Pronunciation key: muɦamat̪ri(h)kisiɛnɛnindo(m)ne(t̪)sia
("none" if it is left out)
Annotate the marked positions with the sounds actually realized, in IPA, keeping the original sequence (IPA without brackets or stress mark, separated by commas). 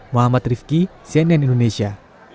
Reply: f, none, none